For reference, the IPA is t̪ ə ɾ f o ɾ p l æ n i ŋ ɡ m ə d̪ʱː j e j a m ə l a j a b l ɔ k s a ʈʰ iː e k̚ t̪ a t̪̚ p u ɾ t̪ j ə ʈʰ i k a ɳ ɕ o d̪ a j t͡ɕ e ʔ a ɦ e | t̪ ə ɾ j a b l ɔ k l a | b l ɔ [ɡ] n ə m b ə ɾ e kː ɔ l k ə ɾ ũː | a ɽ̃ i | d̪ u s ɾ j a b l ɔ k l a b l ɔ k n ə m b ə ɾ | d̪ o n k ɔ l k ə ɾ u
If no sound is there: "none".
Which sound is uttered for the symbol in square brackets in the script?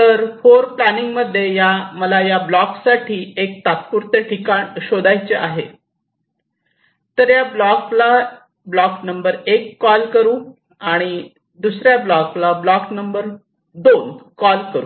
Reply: k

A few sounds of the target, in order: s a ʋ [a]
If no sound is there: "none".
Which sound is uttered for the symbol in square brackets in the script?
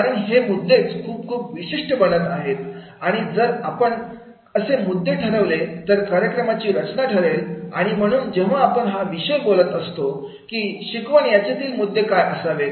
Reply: e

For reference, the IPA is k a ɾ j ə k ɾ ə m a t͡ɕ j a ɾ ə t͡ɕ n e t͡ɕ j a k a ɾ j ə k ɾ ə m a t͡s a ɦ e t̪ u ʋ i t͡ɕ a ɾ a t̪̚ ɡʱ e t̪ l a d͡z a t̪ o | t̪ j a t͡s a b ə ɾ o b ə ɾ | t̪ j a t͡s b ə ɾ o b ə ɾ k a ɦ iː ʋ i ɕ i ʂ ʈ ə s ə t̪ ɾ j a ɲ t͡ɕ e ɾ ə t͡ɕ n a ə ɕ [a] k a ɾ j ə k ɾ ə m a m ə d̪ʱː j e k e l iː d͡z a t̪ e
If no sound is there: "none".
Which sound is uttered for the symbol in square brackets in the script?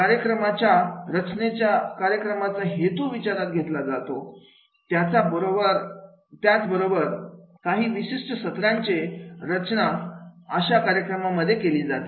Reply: a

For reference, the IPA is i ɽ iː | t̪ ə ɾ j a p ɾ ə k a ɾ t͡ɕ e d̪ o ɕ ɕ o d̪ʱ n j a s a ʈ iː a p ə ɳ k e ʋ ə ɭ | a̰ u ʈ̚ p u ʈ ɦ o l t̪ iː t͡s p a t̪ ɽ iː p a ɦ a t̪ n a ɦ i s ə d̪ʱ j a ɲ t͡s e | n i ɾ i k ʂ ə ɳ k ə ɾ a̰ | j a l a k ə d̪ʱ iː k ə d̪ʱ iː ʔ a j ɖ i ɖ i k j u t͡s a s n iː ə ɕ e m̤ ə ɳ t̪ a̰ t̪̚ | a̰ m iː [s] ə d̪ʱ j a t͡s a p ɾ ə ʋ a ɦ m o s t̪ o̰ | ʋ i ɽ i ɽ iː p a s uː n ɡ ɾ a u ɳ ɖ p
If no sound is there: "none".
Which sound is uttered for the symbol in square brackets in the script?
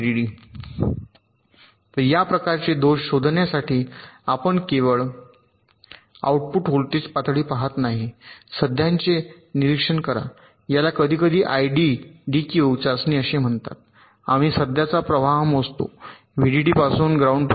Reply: s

